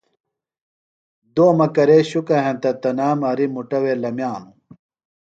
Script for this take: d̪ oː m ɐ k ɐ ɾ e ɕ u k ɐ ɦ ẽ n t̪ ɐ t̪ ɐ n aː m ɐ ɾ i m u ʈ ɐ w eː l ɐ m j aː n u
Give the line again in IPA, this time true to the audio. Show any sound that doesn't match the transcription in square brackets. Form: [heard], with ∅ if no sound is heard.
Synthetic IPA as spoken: d̪ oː m ɐ k ɐ ɾ e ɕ u k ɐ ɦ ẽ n t̪ ɐ t̪ ɐ n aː m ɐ ɾ i m u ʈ ɐ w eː l ɐ m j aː n u